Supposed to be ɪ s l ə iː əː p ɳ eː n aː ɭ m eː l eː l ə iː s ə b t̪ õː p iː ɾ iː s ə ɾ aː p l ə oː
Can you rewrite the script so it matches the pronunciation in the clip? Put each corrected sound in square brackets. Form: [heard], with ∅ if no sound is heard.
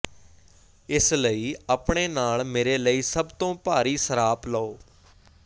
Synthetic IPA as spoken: ɪ s l ə iː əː p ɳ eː n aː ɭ m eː [ɾ] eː l ə iː s ə b t̪ õː p [aː] ɾ iː s ə ɾ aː p l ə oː